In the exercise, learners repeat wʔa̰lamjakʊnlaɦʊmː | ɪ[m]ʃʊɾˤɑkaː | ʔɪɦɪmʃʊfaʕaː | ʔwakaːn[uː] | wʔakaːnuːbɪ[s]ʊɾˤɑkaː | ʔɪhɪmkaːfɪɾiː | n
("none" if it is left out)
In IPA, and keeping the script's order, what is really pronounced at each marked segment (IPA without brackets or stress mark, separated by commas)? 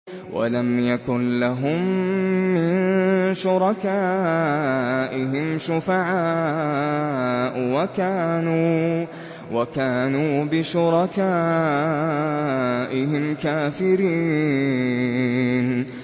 n, uː, ʃ